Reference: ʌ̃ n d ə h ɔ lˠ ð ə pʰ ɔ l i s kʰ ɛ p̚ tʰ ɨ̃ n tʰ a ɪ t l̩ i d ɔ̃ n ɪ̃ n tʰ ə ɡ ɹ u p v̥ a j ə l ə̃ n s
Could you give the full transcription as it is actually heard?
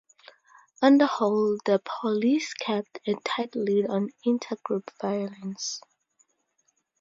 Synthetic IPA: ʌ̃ n d ə h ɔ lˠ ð ə pʰ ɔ l i s kʰ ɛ p̚ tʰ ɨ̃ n tʰ a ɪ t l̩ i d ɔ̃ n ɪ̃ n tʰ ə ɡ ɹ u p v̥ a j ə l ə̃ n s